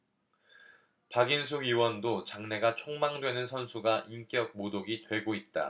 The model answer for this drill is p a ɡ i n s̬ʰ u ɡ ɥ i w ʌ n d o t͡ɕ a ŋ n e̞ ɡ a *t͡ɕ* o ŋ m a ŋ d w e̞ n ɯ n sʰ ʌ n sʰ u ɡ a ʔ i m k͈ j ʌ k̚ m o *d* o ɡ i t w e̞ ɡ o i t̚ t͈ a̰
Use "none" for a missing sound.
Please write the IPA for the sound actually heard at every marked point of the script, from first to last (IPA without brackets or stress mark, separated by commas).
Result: t͡ɕʰ, d